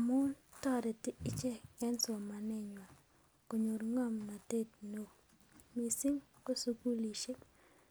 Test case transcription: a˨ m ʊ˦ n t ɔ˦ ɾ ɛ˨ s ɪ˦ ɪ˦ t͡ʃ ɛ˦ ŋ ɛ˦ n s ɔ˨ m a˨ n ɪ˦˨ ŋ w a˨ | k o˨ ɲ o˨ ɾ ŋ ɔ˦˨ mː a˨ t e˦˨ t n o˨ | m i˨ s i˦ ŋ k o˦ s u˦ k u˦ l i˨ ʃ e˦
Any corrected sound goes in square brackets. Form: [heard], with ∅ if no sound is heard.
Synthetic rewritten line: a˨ m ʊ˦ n t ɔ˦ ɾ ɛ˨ [t] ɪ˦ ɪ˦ t͡ʃ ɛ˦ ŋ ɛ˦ n s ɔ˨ m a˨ n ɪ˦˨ [ɲ] w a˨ | k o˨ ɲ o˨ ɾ ŋ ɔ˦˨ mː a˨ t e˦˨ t n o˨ | m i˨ s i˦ ŋ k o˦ s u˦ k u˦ l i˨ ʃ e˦